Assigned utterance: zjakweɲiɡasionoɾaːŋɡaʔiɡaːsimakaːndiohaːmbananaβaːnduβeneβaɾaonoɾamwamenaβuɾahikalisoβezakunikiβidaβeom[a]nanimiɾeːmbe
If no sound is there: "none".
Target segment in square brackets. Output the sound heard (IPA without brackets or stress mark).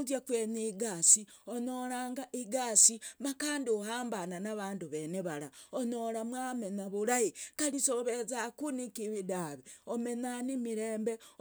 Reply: e